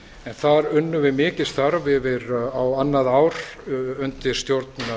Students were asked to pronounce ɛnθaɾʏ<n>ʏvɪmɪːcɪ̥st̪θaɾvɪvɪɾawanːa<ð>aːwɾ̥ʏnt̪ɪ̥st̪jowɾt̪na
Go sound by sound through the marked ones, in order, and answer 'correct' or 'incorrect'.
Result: incorrect, correct

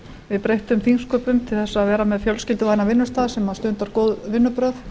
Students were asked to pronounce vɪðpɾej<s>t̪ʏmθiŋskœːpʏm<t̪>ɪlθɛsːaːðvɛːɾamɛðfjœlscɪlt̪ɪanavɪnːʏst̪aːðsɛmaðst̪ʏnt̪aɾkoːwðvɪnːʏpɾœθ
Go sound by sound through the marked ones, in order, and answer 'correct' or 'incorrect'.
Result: incorrect, incorrect

